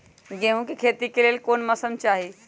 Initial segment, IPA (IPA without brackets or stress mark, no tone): ɡ